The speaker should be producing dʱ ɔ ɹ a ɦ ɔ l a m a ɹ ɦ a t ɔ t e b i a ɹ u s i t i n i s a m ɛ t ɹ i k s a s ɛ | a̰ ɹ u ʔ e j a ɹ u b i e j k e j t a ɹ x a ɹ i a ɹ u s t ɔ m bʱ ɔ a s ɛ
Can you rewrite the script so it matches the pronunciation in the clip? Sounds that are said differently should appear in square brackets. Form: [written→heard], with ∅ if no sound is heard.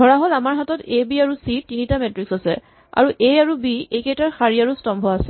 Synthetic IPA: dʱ ɔ ɹ a ɦ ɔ l a m a ɹ ɦ a t ɔ t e b i a ɹ u s i t i n i [s→t] a m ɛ t ɹ i k s a s ɛ | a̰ ɹ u ʔ e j a ɹ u b i e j k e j t a ɹ x a ɹ i a ɹ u s t ɔ m bʱ ɔ a s ɛ